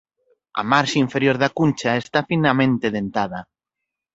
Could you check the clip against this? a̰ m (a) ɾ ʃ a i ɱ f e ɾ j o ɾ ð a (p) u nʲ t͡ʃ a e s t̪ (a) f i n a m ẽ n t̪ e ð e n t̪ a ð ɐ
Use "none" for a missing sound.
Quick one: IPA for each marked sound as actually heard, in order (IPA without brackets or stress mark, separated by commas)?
a, k, a